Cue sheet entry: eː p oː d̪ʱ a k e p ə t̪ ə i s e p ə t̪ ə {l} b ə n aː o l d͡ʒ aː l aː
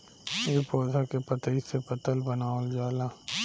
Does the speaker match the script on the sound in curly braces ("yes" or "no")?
yes